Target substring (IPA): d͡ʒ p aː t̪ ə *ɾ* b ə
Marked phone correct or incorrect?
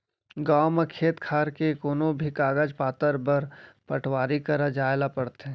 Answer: correct